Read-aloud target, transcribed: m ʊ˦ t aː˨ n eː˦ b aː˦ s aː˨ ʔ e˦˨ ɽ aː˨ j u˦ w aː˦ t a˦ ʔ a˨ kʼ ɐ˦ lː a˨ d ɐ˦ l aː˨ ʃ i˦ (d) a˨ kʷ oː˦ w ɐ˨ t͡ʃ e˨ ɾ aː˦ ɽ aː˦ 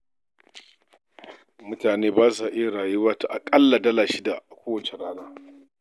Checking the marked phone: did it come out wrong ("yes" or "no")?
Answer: no